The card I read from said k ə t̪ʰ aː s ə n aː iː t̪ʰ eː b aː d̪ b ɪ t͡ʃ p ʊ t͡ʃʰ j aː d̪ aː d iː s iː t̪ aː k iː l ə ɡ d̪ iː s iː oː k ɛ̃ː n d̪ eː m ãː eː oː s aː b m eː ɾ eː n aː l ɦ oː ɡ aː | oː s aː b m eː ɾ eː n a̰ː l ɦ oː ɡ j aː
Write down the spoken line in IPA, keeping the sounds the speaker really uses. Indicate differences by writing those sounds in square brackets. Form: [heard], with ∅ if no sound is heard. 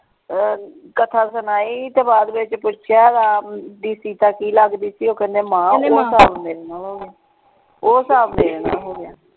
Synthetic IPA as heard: k ə t̪ʰ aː s ə n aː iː [t̪] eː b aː d̪ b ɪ t͡ʃ p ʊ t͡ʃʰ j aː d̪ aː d iː s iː t̪ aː k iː l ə ɡ d̪ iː s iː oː k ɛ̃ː n d̪ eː m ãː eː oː s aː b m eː ɾ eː n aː l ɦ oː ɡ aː | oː s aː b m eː ɾ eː n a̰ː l ɦ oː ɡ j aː